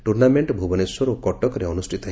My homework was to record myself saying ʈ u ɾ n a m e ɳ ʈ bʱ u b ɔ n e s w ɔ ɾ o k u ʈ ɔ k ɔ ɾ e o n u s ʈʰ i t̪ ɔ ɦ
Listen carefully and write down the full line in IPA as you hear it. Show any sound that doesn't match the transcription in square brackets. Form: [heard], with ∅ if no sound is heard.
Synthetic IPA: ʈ u ɾ n a m e ɳ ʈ bʱ u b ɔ n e s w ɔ ɾ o k [ɔ] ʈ ɔ k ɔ ɾ e [ɔ] n u s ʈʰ i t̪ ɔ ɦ